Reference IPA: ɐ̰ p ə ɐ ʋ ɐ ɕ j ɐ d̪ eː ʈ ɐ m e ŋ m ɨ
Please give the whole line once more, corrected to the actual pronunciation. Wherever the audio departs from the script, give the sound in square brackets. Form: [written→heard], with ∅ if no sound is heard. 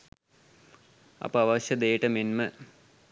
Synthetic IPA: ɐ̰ p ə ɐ ʋ ɐ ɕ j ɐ d̪ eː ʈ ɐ m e [ŋ→n] m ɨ